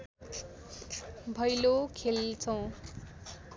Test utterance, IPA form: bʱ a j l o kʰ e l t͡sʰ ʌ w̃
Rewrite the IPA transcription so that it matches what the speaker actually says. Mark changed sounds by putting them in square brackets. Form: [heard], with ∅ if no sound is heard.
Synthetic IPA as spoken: bʱ [ʌ] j l o kʰ e l t͡sʰ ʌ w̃

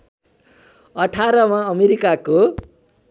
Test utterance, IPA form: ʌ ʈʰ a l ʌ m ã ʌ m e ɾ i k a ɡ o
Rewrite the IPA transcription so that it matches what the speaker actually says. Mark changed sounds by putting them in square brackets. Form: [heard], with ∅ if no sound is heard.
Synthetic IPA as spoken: ʌ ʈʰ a [ɾ] ʌ m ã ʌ m e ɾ i k a [k] o

